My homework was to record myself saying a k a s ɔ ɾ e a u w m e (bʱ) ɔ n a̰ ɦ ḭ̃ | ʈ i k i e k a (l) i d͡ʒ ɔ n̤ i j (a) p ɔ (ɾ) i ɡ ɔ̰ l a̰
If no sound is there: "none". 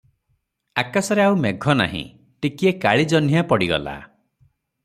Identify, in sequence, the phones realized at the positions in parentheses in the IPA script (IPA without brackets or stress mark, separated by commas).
ɡʱ, ɭ, a, ɽ